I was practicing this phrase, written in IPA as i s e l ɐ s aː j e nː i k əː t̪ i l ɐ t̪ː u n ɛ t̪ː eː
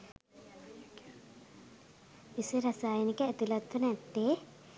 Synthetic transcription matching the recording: i s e ɾ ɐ s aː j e n i k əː t̪ i l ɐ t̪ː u n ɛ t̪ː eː